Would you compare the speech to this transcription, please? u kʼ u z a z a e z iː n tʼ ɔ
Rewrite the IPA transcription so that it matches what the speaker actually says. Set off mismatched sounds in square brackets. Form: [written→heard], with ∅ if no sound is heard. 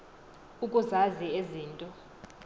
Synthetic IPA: u kʼ u z a z [a→i] e z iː n tʼ ɔ